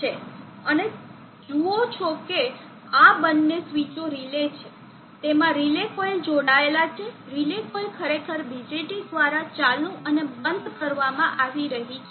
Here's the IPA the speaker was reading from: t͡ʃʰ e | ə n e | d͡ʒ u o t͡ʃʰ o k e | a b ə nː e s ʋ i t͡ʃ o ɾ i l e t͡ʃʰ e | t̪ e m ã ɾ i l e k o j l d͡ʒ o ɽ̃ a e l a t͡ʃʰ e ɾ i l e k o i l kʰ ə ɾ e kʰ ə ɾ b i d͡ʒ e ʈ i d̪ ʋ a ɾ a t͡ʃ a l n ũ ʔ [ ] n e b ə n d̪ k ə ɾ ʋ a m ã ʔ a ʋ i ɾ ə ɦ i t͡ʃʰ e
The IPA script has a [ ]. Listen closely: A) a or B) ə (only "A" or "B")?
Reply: B